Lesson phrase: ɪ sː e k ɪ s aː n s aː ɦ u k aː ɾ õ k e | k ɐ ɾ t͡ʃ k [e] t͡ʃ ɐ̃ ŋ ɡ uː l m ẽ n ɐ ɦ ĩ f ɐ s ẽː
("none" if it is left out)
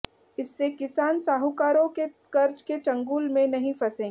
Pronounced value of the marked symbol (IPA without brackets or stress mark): e